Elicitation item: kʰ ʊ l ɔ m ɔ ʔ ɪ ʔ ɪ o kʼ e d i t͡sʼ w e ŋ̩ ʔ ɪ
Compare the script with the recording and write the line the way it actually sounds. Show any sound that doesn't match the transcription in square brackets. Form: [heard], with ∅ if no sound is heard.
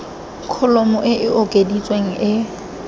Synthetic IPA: kʰ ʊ l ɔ m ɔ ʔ ɪ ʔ ɪ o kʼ e d i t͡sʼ w e ŋ̩ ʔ ɪ

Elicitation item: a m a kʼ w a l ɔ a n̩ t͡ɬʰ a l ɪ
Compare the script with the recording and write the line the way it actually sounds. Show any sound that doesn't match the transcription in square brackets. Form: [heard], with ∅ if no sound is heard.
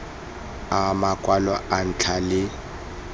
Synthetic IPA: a m a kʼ w a l ɔ a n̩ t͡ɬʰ a l ɪ

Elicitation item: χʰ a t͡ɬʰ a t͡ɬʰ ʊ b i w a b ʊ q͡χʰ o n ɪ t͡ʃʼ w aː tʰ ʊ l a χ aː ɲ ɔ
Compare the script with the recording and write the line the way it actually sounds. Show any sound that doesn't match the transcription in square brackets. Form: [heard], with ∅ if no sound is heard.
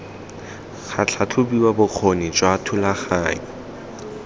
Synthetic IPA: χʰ a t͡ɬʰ a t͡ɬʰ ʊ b i w a b ʊ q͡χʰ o n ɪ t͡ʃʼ w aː tʰ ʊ l a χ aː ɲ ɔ

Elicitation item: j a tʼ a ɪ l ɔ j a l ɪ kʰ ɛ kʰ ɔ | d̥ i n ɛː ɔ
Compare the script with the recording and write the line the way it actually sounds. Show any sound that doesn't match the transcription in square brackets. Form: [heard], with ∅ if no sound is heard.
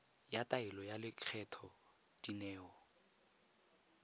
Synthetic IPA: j a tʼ a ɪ l ɔ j a l ɪ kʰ ɛ [tʰ] ɔ | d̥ i n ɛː ɔ

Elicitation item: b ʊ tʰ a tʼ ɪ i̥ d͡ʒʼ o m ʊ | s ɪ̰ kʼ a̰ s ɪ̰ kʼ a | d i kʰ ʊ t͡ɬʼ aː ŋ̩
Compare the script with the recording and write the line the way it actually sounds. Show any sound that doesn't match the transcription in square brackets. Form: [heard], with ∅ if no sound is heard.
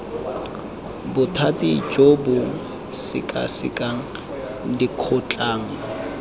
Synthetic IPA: b ʊ tʰ a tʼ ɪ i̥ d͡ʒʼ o [b] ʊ | s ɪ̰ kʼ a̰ s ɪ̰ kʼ a | d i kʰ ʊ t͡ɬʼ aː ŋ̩

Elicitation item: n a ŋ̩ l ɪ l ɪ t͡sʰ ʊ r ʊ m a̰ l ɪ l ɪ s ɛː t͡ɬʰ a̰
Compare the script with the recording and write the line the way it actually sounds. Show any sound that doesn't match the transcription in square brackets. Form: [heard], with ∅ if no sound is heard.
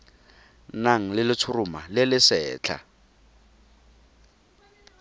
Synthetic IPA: n a ŋ̩ l ɪ l ɪ t͡sʰ ʊ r ʊ m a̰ l ɪ l ɪ s ɛː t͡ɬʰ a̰

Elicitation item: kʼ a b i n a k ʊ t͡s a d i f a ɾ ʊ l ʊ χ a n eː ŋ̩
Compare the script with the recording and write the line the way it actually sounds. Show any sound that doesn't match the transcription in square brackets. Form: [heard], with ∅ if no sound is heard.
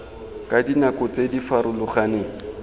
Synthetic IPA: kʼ a [d] i n a k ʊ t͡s [e] d i f a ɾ ʊ l ʊ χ a n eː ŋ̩

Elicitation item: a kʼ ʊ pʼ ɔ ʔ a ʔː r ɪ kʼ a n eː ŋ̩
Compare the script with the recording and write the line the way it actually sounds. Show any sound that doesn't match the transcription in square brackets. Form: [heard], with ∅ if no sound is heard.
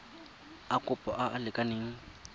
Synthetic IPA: a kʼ ʊ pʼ ɔ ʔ a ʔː [l] ɪ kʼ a n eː ŋ̩

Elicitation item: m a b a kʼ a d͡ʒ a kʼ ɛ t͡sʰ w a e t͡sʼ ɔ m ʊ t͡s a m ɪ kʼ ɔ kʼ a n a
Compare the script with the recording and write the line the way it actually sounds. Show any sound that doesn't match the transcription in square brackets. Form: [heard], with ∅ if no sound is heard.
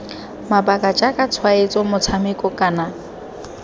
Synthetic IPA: m a b a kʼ a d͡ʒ a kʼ [a] t͡sʰ w a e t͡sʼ ɔ m ʊ [t͡sʰ] a m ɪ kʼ ɔ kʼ a n a

